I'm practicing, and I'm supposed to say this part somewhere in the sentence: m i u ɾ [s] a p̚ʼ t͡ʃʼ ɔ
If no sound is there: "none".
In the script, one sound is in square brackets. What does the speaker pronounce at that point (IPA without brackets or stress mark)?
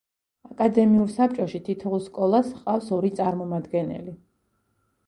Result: s